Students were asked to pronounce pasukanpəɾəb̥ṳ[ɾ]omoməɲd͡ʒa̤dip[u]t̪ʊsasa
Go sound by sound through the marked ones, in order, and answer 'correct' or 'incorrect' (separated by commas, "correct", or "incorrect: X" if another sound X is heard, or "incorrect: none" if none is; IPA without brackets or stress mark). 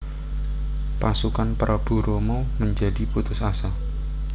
correct, correct